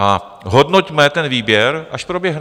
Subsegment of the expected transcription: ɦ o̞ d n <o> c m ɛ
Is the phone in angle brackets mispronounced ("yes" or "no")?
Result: no